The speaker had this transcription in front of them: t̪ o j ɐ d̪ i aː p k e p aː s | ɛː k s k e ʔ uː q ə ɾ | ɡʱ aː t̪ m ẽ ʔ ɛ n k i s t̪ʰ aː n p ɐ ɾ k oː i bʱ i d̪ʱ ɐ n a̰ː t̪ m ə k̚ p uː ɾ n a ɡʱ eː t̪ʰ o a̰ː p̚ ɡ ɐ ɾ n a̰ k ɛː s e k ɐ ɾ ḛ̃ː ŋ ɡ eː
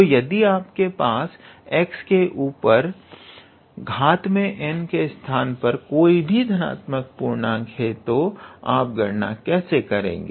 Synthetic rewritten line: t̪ o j ɐ d̪ i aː p k e p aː s | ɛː k s k e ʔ uː p ə ɾ | ɡʱ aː t̪ m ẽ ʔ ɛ n k e s t̪ʰ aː n p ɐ ɾ k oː i bʱ i d̪ʱ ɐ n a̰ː t̪ m ə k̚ p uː ɾ n a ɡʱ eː t̪ o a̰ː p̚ ɡ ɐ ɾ n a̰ k ɛː s e k ɐ ɾ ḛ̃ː ŋ ɡ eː